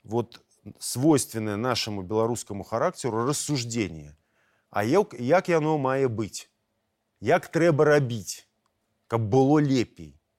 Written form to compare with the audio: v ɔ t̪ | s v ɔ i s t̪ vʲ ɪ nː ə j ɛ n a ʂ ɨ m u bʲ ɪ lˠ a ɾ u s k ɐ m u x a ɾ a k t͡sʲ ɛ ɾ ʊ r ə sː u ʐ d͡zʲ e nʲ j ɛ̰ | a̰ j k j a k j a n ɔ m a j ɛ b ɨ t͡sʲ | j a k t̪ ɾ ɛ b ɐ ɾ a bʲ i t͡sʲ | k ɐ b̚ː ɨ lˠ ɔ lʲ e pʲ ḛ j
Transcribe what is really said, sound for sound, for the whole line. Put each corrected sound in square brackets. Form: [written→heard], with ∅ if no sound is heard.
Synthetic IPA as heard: v ɔ t̪ | s v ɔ [i→j] s t̪ vʲ ɪ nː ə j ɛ n a ʂ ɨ m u bʲ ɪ lˠ a ɾ u s k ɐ m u x a ɾ a k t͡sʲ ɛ ɾ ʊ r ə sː u ʐ d͡zʲ e nʲ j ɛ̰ | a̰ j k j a k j a n ɔ m a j ɛ b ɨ t͡sʲ | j a k t̪ ɾ ɛ b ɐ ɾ a bʲ i t͡sʲ | k ɐ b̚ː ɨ lˠ ɔ lʲ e pʲ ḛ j